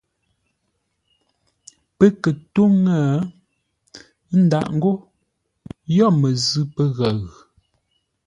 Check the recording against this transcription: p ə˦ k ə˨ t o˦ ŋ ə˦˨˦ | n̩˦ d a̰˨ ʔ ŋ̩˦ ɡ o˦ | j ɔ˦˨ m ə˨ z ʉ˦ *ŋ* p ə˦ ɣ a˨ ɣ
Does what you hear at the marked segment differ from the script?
yes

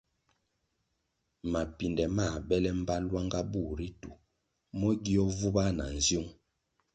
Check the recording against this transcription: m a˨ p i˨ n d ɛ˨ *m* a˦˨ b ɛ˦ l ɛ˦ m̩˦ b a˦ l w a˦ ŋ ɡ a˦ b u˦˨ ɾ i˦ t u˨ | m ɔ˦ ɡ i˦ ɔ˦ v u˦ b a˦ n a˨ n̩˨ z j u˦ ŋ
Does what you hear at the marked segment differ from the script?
no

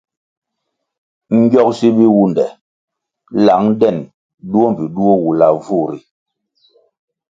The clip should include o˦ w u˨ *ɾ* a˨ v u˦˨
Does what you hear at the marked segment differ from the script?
yes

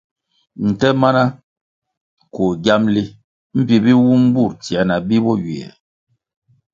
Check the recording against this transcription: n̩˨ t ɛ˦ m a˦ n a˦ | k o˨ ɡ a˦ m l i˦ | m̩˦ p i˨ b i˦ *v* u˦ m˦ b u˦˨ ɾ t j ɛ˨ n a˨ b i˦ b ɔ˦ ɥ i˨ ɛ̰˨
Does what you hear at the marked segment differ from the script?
yes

